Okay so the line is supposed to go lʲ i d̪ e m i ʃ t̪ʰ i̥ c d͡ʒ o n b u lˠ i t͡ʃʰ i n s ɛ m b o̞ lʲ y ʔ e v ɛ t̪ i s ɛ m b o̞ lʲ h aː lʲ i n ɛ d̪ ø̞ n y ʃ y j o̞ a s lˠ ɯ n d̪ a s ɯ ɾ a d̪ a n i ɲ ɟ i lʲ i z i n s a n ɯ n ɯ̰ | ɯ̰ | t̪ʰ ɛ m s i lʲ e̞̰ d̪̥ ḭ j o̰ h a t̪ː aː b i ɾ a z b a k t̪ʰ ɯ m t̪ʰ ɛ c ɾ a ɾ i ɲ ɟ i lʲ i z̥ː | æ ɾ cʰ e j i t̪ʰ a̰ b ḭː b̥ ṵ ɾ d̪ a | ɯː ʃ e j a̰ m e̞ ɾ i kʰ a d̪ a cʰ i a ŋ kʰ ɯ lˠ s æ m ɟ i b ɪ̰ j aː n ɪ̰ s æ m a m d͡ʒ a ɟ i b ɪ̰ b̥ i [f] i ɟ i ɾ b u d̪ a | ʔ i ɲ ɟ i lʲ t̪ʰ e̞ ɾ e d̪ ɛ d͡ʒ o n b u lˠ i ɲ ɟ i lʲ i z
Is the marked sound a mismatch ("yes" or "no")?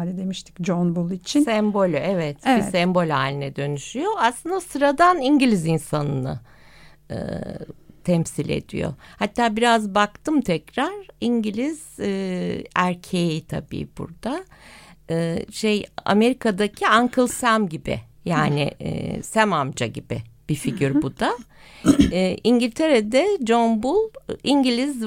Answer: no